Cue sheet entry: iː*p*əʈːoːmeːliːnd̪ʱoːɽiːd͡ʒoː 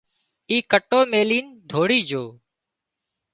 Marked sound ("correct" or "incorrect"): incorrect